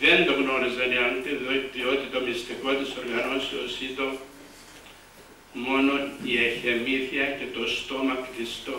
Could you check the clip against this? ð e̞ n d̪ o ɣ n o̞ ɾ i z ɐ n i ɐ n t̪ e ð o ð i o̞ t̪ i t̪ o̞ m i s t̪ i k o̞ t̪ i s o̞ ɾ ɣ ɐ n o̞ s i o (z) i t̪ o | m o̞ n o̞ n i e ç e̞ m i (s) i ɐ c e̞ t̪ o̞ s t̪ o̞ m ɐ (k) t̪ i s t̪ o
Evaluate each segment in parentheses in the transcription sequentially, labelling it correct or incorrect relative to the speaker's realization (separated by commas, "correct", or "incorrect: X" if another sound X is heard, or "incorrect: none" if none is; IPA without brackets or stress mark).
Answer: incorrect: s, incorrect: θ, correct